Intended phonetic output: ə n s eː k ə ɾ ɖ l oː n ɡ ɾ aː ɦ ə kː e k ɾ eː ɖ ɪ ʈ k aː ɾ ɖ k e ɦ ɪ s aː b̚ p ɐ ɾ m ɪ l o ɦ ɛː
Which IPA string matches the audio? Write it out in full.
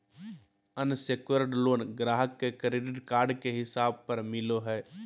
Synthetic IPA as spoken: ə n s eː k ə ɾ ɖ l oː n ɡ ɾ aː ɦ ə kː e k ɾ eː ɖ ɪ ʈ k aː ɾ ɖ k e ɦ ɪ s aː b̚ p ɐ ɾ m ɪ l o ɦ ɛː